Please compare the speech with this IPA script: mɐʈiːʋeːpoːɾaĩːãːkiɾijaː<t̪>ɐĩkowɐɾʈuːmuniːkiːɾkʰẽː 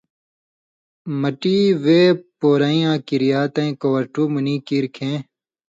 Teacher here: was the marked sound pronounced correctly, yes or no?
yes